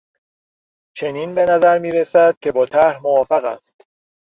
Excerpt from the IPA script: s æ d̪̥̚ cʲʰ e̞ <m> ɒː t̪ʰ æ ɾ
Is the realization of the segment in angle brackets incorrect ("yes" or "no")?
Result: yes